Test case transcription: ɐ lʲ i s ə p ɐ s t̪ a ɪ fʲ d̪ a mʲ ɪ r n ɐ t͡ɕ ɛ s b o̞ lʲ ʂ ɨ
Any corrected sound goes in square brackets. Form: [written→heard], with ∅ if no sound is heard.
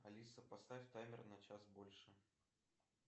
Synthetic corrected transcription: ɐ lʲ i s ə p ɐ s t̪ a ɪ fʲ [d̪→t̪] a mʲ ɪ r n ɐ t͡ɕ [ɛ→a] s b o̞ lʲ ʂ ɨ